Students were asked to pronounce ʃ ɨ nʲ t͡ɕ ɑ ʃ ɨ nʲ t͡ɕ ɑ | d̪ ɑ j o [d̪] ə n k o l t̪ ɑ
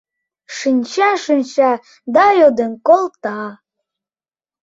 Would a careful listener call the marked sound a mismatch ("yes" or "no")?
no